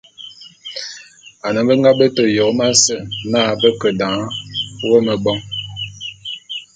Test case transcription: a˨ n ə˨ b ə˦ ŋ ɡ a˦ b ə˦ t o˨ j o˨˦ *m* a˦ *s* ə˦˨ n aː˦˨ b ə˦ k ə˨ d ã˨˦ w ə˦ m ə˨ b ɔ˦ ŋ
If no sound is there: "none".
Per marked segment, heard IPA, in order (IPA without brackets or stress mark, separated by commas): m, s